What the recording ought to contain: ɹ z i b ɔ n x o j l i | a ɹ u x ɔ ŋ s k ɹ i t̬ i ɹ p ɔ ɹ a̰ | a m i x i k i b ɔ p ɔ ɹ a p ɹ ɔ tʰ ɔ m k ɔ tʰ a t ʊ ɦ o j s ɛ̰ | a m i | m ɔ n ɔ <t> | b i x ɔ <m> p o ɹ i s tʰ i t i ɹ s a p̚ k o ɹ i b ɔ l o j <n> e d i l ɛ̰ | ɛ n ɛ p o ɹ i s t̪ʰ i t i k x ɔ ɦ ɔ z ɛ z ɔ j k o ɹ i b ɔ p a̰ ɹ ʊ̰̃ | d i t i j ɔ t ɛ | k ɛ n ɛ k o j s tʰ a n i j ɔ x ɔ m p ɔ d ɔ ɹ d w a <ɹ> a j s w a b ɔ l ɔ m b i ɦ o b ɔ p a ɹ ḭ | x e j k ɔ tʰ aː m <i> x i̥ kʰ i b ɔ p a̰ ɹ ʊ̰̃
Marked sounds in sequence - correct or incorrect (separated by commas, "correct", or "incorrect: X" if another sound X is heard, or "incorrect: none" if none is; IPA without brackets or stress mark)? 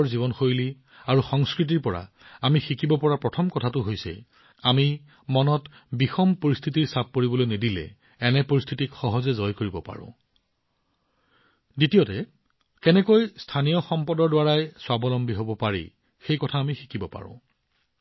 correct, correct, correct, correct, correct